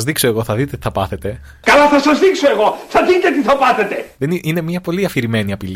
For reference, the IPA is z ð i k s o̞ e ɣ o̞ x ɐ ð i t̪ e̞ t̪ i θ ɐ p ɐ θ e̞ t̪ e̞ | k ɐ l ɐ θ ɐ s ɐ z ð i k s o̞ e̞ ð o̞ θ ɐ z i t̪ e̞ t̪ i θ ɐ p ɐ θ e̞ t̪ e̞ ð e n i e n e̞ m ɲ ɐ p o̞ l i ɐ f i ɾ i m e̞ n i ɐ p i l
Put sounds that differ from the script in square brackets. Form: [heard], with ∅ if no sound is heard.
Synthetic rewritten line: z ð i k s o̞ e ɣ o̞ [θ] ɐ ð i t̪ e̞ t̪ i θ ɐ p ɐ θ e̞ t̪ e̞ | k ɐ l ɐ θ ɐ s ɐ z ð i k s o̞ e̞ [ɣ] o̞ θ ɐ [ð] i t̪ e̞ t̪ i θ ɐ p ɐ θ e̞ t̪ e̞ ð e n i [i] n e̞ m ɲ ɐ p o̞ l i ɐ f i ɾ i m e̞ n i ɐ p i l